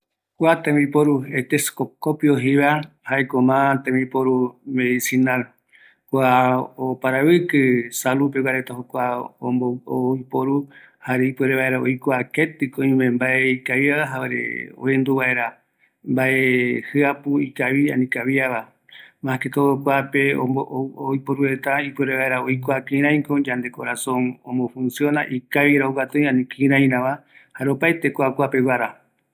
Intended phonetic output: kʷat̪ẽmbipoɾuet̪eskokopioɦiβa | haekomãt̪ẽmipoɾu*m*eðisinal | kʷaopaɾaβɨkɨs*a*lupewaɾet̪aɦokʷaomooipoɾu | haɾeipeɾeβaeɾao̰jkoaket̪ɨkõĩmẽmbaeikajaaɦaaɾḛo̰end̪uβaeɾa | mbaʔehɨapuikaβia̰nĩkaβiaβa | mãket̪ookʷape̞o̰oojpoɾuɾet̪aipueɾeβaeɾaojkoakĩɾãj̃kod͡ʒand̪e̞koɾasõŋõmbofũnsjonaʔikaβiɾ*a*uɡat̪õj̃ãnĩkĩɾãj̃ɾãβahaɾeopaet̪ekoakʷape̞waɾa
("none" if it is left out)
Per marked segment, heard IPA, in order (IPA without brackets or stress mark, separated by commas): m, a, a